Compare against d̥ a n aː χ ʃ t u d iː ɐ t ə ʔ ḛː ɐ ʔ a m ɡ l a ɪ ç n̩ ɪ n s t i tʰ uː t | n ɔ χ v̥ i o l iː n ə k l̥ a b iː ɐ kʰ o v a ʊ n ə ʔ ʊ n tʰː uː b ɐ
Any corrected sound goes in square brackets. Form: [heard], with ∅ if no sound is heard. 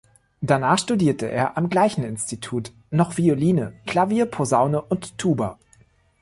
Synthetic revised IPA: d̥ a n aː χ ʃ t u d iː ɐ t ə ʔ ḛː ɐ ʔ a m ɡ l a ɪ ç n̩ ɪ n s t i tʰ uː t | n ɔ χ v̥ i o l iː n ə k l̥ a [v] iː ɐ [pʰ] o [z] a ʊ n ə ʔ ʊ n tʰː uː b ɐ